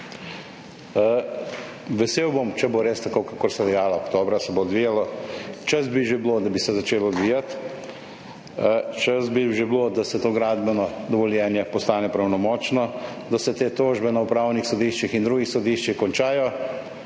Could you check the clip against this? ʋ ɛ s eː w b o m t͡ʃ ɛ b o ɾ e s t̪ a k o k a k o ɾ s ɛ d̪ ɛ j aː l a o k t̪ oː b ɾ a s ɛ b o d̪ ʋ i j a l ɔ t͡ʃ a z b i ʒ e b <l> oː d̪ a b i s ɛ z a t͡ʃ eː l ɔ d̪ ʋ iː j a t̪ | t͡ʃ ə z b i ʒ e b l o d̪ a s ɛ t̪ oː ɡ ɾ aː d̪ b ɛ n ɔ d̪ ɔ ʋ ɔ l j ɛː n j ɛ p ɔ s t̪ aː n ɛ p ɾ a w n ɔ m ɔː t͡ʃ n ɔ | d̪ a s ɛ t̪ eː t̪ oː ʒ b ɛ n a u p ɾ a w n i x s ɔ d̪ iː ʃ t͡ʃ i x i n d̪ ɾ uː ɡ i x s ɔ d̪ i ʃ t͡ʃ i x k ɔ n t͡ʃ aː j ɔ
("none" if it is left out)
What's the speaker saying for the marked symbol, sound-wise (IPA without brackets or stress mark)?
l